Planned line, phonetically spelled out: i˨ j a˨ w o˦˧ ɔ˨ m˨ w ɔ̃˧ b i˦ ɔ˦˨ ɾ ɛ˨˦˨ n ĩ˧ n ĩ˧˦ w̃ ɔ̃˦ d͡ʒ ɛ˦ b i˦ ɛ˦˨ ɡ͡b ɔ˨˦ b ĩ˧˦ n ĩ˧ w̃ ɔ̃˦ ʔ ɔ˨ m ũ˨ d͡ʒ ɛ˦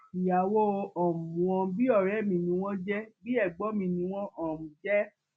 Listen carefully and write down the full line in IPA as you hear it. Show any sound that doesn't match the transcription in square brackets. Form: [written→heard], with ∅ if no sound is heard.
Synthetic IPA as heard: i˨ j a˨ w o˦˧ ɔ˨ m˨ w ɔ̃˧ b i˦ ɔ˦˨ ɾ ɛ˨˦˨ [n→m] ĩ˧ n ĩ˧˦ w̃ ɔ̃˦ d͡ʒ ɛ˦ b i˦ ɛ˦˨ ɡ͡b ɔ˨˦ [b→m] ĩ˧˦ n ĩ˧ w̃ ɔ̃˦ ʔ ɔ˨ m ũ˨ d͡ʒ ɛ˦